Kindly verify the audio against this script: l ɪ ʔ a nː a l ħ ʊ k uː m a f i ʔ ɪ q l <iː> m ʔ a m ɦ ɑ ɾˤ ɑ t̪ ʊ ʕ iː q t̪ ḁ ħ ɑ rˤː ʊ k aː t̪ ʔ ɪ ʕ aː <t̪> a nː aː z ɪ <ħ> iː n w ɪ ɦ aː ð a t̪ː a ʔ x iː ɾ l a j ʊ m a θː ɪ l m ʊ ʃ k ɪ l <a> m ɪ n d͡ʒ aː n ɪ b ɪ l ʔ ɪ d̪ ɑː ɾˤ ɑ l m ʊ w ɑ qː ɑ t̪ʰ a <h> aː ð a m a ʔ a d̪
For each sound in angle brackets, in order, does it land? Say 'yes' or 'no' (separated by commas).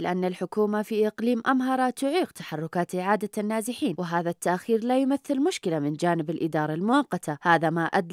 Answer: yes, no, yes, yes, yes